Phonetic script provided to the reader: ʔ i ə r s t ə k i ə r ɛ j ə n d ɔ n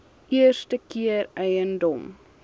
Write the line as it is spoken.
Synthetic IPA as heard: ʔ i ə r s t ə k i ə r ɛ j ə n d ɔ m